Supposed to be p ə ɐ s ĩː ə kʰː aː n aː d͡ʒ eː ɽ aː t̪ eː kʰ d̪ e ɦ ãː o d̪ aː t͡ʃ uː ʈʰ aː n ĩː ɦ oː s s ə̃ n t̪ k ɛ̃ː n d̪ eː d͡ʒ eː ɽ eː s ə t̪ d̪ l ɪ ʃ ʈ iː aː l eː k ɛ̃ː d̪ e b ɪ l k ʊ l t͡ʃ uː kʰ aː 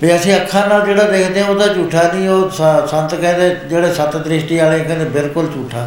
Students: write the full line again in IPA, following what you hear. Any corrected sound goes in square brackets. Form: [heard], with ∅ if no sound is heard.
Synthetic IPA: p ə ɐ s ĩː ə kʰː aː n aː d͡ʒ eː ɽ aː [d̪] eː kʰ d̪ e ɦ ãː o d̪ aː t͡ʃ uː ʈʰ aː n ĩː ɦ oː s s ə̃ n t̪ k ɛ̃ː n d̪ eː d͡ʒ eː ɽ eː s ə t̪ d̪ [ɾ] ɪ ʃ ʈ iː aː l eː k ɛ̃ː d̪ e b ɪ l k ʊ l t͡ʃ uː [ʈʰ] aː